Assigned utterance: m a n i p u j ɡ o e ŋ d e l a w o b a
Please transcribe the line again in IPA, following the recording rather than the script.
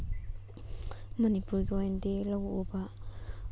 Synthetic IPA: m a n i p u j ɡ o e n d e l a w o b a